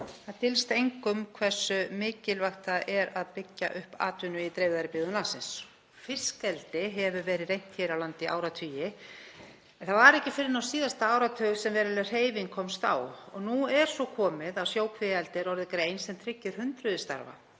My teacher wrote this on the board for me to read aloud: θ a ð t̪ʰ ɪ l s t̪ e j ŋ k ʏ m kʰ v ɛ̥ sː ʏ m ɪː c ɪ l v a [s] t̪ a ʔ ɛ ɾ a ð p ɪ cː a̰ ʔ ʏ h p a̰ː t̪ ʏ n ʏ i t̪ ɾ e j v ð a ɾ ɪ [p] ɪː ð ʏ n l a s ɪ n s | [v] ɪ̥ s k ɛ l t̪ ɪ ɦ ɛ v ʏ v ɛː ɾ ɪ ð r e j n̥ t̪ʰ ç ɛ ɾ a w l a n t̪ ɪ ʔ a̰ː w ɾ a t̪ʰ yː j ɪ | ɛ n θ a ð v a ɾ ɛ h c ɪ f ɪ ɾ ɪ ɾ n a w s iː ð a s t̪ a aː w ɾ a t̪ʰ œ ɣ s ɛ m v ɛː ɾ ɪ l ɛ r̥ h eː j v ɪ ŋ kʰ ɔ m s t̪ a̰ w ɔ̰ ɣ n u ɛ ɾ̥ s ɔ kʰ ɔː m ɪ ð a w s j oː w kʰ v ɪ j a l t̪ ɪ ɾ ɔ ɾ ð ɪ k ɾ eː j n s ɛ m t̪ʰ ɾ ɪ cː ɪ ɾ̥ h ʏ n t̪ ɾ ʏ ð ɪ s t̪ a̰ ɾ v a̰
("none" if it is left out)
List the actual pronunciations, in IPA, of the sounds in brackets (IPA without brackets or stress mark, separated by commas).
x, p, f